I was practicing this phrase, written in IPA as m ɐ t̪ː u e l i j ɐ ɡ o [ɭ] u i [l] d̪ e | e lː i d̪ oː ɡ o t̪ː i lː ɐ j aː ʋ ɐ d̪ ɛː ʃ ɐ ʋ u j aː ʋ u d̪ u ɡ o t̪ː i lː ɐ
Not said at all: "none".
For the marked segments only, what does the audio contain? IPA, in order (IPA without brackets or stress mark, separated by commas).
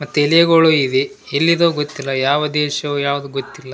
ɭ, none